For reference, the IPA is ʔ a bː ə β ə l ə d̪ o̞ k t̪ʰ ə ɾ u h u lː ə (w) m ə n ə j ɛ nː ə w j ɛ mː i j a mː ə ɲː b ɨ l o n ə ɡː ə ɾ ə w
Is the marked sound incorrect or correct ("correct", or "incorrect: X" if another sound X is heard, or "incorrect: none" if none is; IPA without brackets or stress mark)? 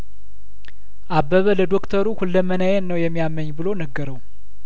incorrect: none